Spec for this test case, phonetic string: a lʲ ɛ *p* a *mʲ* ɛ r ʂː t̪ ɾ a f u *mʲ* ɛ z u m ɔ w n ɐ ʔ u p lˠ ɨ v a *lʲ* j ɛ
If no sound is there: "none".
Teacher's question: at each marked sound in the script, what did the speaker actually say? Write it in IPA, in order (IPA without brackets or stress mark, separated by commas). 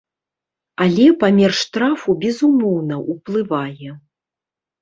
p, mʲ, bʲ, none